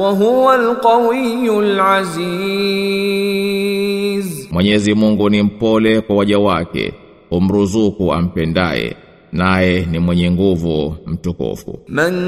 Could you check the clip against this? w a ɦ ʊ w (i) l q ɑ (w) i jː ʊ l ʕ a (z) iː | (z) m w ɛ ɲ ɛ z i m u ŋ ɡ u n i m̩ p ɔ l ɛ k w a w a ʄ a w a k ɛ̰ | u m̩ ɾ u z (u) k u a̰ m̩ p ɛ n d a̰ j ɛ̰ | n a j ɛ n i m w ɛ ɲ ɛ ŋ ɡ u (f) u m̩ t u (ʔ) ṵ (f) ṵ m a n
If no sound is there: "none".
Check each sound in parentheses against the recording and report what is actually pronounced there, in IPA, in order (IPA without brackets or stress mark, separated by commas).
a, w, z, z, u, v, k, f